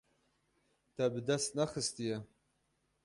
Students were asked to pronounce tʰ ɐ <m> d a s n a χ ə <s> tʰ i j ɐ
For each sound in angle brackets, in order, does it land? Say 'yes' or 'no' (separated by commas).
no, yes